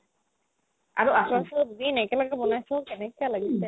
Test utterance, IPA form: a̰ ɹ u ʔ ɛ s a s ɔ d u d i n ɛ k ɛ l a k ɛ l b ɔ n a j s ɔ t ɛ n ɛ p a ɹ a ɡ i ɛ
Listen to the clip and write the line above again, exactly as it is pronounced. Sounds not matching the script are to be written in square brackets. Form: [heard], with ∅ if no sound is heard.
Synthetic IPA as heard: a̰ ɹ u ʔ [a] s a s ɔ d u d i n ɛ k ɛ l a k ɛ [∅] b ɔ n a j s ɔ [k] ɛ n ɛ [k] a [l] a ɡ i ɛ